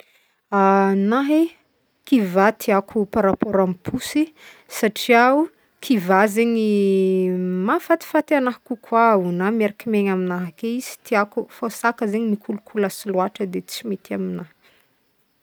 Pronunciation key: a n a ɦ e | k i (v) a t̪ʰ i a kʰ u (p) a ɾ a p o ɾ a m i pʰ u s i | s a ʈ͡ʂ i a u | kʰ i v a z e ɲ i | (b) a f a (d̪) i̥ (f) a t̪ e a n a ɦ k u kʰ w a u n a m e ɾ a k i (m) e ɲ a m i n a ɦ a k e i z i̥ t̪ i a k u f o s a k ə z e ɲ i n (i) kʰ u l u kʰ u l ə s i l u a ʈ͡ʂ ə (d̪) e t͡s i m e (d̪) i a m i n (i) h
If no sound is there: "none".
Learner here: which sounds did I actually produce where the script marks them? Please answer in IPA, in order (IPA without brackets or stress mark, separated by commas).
v, p, m, t̪, f, m, i, d̪, t̪, a